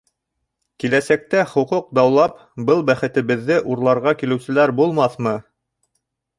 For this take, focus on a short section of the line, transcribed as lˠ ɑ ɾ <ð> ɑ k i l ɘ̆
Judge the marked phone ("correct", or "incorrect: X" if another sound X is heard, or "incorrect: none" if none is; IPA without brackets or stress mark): incorrect: ʁ